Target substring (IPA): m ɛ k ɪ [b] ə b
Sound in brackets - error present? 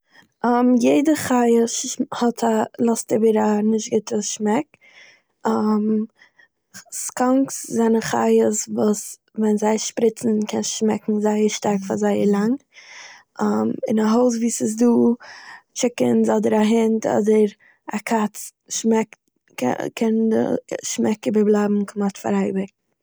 no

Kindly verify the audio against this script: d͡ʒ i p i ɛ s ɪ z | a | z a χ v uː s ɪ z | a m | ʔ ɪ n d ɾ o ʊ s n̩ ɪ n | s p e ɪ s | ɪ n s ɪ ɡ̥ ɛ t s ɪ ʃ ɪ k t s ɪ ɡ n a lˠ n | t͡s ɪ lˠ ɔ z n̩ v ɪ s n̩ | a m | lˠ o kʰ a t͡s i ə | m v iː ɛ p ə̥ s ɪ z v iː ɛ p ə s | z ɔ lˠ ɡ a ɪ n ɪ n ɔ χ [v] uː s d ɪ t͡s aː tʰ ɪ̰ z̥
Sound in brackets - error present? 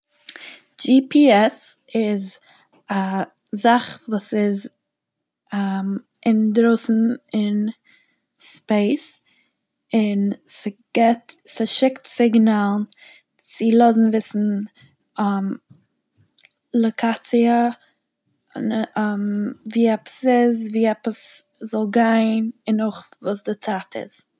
no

